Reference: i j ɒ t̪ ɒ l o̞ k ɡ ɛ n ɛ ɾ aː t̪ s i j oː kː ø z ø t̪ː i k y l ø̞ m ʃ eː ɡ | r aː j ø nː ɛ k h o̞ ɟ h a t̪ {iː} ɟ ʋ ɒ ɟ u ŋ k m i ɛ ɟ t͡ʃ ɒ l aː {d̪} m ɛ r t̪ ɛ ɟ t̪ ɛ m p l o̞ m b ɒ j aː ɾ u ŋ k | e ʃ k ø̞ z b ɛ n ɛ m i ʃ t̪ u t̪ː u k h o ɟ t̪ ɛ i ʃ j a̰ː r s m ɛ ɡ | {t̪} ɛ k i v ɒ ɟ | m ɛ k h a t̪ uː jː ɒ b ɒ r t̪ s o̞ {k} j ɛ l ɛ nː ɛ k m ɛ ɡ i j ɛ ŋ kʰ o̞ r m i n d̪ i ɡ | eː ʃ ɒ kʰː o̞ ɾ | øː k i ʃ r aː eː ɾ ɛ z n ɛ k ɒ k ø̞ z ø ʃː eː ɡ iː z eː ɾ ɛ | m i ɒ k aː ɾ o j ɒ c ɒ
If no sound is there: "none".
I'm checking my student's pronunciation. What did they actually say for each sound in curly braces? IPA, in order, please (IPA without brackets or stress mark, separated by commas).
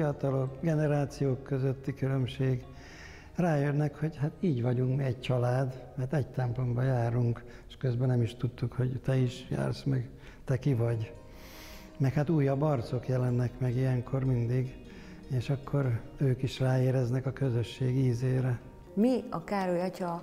iː, d̪, t̪, k